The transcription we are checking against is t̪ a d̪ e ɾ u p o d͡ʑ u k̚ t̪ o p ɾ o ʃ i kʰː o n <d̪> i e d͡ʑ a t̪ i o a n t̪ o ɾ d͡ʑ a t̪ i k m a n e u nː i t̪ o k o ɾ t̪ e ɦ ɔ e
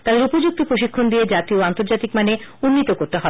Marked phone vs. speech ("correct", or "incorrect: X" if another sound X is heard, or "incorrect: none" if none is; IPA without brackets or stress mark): correct